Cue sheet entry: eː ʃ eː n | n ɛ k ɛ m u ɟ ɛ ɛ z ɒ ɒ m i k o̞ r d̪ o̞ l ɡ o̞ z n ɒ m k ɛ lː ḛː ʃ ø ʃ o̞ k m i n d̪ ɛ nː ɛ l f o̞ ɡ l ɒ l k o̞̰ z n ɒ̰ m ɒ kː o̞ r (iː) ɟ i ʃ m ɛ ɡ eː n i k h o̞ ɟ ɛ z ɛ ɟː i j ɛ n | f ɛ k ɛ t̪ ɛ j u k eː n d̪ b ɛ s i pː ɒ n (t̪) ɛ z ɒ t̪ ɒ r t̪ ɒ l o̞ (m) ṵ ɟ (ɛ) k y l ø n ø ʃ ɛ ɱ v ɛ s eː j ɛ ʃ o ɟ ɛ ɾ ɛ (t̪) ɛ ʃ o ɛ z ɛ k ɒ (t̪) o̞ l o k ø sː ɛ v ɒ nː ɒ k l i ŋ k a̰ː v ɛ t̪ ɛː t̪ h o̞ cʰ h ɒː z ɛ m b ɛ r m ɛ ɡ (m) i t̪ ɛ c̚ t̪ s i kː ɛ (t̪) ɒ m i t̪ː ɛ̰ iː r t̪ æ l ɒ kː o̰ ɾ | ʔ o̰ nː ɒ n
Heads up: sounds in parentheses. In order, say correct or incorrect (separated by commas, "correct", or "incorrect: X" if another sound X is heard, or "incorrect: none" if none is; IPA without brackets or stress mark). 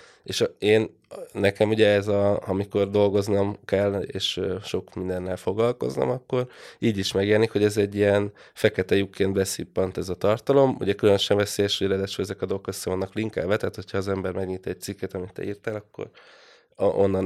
correct, correct, correct, correct, incorrect: d̪, incorrect: d̪, incorrect: ɲ, correct